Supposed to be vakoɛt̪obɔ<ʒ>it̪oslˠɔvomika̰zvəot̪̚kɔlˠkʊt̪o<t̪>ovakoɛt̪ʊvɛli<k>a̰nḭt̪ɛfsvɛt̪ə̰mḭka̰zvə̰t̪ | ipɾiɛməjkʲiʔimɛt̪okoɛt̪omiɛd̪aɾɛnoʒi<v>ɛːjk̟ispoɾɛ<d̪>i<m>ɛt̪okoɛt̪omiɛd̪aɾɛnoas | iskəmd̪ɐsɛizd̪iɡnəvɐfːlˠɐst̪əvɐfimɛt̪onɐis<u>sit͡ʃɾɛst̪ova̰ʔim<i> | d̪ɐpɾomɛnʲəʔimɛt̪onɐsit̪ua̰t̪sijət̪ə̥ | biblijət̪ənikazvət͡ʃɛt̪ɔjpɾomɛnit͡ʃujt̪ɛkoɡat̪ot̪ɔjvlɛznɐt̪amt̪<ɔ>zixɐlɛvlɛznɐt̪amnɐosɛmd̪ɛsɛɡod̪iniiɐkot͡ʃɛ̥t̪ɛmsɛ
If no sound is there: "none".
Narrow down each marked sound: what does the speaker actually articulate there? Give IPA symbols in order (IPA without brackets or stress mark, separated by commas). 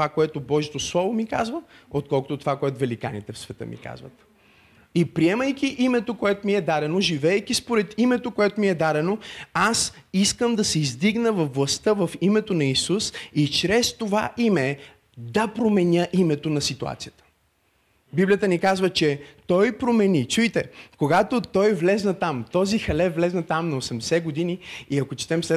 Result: ʒ, t̪, k, v, t̪, m, u, ɛ, ɔ